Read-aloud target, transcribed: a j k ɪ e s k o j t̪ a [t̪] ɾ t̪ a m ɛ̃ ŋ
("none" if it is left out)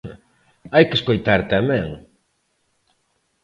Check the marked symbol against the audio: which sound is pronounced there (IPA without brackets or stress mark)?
none